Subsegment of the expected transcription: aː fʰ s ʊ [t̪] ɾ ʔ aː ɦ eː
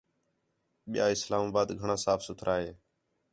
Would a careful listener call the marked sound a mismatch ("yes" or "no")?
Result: yes